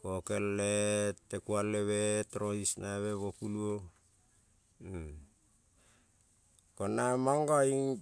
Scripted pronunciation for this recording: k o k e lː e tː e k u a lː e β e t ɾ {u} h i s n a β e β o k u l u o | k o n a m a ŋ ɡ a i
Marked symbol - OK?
no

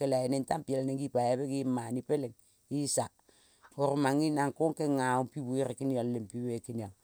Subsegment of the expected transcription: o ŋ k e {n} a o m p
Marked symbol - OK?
no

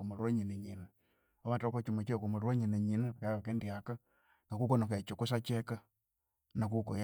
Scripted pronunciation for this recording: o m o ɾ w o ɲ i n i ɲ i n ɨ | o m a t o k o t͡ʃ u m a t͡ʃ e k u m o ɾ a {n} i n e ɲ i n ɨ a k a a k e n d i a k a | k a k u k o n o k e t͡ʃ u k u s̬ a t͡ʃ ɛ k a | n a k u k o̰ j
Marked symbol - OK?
no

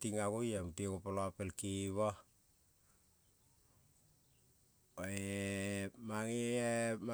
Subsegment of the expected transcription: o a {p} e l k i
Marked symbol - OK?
yes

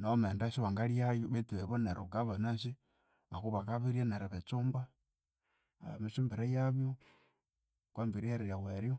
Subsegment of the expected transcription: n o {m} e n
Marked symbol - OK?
yes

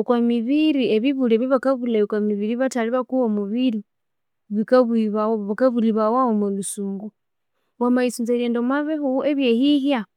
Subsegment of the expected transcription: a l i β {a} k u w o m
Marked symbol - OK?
yes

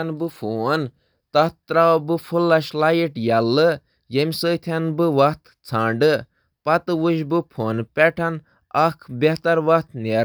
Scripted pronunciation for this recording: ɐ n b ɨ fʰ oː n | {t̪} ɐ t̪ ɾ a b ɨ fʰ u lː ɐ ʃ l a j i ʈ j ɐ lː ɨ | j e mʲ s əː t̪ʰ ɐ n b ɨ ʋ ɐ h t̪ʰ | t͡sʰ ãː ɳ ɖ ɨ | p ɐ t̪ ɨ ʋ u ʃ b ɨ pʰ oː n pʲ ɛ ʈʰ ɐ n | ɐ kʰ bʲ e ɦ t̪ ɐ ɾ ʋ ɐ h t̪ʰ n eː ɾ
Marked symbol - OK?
yes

